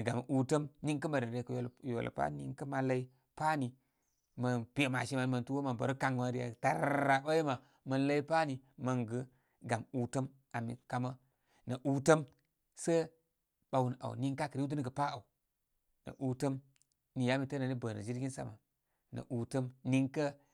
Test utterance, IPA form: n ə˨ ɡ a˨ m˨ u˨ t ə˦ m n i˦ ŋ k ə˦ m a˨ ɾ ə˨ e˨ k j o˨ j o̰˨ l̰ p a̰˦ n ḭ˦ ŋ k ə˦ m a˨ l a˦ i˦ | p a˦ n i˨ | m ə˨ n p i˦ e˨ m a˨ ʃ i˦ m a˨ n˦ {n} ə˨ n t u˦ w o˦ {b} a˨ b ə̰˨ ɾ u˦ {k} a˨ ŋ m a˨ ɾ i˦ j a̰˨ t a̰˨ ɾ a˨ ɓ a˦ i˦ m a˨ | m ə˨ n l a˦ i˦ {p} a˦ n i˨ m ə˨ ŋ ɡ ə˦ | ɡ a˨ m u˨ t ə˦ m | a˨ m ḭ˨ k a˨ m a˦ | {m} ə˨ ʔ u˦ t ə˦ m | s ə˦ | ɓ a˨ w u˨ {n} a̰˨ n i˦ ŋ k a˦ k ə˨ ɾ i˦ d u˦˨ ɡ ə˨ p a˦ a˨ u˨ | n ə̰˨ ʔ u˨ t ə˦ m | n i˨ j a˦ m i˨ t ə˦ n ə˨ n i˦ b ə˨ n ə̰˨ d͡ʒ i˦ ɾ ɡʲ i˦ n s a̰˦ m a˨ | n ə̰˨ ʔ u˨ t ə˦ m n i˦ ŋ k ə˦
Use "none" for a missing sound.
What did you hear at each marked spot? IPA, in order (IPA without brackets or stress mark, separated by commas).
m, m, k, p, n, n